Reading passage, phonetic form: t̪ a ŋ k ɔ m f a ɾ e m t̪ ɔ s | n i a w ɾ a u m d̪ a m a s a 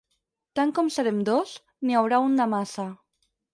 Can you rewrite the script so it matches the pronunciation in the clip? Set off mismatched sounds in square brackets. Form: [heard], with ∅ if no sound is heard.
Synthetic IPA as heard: t̪ a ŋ k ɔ m [s] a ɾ e m [d̪] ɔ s | n i a w ɾ a u [n] d̪ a m a s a